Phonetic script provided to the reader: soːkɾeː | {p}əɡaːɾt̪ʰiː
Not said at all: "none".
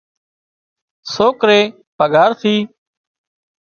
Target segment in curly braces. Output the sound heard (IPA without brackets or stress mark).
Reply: p